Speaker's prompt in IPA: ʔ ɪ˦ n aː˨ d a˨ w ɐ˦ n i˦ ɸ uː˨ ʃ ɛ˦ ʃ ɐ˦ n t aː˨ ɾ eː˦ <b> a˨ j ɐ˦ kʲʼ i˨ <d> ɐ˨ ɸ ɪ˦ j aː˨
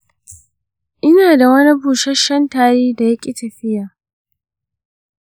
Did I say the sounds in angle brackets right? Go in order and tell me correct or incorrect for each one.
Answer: incorrect, incorrect

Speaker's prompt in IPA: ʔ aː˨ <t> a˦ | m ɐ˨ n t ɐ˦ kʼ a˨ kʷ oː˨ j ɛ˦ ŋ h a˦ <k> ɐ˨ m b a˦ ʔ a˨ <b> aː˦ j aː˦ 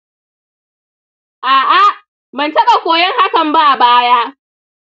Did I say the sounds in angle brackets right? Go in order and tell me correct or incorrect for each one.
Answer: incorrect, correct, correct

